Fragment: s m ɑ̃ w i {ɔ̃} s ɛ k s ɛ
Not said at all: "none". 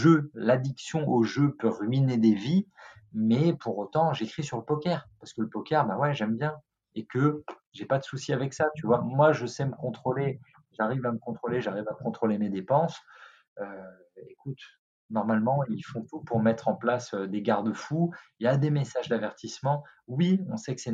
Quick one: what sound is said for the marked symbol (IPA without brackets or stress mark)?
ɔ̃